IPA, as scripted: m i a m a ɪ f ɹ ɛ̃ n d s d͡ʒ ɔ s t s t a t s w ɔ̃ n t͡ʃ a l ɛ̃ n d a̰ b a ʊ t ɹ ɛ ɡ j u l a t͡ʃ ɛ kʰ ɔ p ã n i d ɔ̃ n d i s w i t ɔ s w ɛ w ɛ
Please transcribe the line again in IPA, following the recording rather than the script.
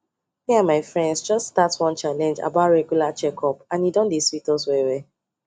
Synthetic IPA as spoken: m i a m a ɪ f ɹ ɛ̃ n d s d͡ʒ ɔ s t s t a t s w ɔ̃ n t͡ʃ a l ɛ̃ n d͡ʒ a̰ b a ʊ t ɹ ɛ ɡ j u l a t͡ʃ ɛ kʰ ɔ p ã n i d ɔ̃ n d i s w i t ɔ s w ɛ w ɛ